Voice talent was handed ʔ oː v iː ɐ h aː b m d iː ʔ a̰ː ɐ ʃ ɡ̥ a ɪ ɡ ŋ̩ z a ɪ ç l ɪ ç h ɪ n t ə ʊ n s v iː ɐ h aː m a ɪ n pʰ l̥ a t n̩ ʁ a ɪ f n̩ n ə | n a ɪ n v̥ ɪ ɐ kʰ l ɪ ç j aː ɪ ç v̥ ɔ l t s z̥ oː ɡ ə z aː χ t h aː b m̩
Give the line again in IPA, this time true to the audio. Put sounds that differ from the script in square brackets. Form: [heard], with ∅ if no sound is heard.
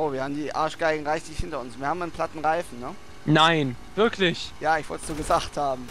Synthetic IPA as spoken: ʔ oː v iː ɐ h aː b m d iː ʔ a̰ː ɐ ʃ ɡ̥ a ɪ ɡ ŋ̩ [ʁ] a ɪ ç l ɪ ç h ɪ n t [ɐ] ʊ n s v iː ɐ h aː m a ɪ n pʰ l̥ a t n̩ ʁ a ɪ f n̩ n ə | n a ɪ n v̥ ɪ ɐ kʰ l ɪ ç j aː ɪ ç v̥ ɔ l t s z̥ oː ɡ ə z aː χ t h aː b m̩